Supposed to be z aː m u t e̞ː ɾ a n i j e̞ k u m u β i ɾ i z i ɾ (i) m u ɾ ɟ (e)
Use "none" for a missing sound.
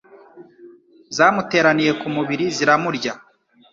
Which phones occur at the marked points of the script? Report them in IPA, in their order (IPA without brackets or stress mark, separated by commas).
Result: a, a